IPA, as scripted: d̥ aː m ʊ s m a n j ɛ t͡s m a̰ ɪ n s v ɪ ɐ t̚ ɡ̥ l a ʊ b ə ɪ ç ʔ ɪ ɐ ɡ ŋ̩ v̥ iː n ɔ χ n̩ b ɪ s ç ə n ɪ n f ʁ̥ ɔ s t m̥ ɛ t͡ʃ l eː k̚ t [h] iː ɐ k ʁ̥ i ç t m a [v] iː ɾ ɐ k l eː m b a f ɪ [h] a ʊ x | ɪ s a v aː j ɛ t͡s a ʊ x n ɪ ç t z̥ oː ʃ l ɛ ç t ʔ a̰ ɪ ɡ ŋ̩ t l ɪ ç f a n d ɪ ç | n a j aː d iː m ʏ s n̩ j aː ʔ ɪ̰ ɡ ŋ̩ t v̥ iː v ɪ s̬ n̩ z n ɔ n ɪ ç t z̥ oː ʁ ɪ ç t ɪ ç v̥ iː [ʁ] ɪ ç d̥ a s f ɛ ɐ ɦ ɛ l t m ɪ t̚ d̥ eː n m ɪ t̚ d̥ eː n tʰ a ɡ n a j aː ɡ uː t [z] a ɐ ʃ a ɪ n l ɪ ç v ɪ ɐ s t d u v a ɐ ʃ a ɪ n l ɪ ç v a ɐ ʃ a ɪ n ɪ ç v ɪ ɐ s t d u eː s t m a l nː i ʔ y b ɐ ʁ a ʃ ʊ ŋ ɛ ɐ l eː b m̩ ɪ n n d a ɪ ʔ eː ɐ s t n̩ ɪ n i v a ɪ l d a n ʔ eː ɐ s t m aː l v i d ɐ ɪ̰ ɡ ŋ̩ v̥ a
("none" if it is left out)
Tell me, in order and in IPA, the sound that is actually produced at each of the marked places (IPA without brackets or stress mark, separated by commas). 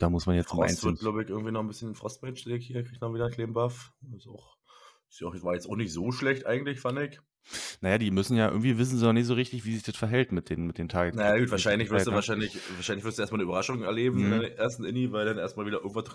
h, v, s, z, v